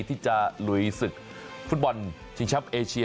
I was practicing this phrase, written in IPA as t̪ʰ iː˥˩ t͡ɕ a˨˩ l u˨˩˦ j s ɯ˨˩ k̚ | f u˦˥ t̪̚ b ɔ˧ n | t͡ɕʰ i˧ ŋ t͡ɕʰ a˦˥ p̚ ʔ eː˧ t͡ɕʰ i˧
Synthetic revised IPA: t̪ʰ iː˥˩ t͡ɕ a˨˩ l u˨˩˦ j s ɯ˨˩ k̚ | f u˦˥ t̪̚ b ɔ˧ n | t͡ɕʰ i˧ ŋ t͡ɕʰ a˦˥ p̚ ʔ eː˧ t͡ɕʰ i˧